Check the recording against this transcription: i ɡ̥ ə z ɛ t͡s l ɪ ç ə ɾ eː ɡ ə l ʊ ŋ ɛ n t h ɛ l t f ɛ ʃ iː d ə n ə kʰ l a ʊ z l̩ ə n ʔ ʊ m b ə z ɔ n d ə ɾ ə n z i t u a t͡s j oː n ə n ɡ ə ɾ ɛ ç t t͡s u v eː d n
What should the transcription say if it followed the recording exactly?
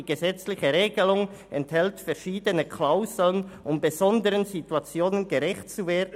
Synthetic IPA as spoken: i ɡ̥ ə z ɛ t͡s l ɪ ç ə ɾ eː ɡ ə l ʊ ŋ ɛ n t h ɛ l t f ɛ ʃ iː d ə n ə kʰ l a ʊ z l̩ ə n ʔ ʊ m b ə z ɔ n d ə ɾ ə n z i t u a t͡s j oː n ə n ɡ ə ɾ ɛ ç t t͡s u v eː d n